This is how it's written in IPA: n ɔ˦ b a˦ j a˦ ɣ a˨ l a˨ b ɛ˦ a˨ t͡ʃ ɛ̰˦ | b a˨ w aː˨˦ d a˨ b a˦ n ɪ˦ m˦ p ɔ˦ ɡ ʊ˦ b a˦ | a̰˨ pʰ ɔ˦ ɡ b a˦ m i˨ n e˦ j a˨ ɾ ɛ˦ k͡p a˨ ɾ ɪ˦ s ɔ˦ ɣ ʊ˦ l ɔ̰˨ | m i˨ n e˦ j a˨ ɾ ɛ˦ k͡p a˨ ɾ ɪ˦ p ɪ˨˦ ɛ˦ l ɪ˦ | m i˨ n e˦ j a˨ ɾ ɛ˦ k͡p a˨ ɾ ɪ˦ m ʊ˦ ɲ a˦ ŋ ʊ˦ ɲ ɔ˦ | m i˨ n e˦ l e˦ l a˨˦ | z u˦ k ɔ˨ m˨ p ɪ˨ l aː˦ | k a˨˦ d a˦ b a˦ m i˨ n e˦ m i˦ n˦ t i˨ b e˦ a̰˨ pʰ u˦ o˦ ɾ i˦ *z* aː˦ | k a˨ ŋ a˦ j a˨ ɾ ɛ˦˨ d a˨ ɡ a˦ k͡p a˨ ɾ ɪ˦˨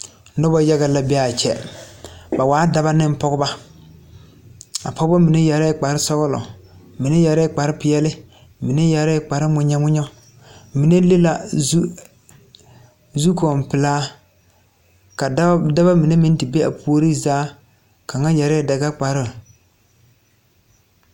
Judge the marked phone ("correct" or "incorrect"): correct